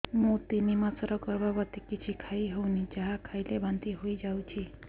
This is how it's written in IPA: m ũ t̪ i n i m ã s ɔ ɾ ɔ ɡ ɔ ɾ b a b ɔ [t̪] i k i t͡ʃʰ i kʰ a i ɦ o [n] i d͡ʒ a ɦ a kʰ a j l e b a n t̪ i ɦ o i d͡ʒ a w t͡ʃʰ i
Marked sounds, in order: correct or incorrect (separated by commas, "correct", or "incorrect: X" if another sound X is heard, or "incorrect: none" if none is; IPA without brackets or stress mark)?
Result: correct, correct